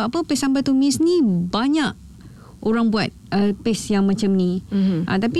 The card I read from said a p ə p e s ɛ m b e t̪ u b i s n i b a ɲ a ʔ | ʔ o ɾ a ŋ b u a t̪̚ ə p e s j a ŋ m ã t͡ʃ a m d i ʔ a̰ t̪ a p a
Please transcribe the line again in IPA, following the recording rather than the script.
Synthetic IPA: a p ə p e s a m b a t̪ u m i s n i b a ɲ a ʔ | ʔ o ɾ a ŋ b u a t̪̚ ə p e s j a ŋ m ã t͡ʃ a m n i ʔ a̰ t̪ a p i